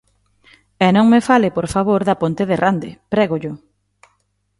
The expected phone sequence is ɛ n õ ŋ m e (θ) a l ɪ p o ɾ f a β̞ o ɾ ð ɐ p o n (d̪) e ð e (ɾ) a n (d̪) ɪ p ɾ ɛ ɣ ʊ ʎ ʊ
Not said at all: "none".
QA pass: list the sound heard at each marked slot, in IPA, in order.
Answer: f, t̪, r, d̪

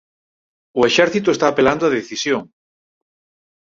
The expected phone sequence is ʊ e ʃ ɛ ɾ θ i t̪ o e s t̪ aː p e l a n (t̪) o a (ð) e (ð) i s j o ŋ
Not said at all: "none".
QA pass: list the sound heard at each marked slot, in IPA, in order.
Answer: d̪, ð, θ

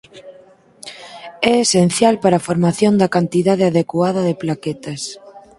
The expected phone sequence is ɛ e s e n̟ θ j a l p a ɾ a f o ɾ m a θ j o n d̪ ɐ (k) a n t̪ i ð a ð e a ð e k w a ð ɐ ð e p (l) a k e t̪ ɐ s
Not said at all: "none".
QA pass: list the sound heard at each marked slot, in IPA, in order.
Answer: k, l

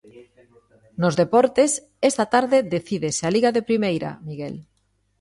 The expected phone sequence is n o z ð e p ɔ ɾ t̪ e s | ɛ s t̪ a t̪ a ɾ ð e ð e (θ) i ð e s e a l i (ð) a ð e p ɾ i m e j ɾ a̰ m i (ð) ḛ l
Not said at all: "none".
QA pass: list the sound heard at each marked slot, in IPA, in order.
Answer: θ, ɣ, ɣ

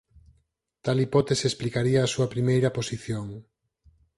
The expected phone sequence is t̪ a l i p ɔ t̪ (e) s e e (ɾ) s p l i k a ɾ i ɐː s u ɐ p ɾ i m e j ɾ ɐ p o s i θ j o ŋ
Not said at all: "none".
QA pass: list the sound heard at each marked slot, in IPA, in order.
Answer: e, none

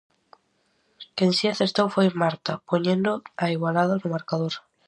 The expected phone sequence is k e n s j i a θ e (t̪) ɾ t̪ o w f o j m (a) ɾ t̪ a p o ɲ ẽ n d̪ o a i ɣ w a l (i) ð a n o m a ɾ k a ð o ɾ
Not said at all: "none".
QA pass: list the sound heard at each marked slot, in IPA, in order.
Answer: none, a, a

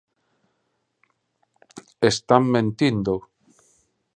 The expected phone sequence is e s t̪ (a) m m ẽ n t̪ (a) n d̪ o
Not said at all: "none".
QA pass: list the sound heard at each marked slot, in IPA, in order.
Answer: a, i

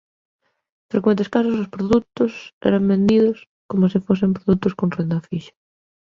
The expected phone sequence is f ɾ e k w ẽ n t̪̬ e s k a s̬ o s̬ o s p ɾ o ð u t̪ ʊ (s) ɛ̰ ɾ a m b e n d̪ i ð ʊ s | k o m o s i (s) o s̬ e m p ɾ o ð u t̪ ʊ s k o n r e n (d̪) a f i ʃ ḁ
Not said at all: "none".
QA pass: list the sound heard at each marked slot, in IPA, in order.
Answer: s, f, d̪

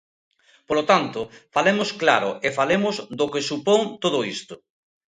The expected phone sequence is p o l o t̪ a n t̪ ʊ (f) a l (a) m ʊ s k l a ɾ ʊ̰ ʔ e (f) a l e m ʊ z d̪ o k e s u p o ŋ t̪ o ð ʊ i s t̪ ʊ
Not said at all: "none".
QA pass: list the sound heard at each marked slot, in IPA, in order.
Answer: f, e, f

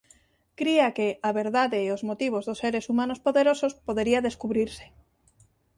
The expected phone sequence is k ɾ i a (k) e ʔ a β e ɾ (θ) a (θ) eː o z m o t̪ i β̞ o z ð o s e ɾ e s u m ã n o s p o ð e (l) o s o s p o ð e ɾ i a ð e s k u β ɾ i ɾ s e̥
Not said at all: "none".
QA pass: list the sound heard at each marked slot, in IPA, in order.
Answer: k, ð, ð, ɾ

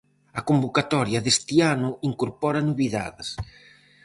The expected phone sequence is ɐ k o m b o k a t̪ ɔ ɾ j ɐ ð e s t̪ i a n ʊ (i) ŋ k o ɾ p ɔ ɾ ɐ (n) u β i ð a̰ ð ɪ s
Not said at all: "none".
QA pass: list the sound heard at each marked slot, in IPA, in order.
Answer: i, n

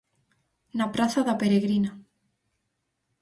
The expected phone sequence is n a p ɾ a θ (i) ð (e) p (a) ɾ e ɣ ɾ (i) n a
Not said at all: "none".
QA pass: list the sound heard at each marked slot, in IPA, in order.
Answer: a, a, e, i

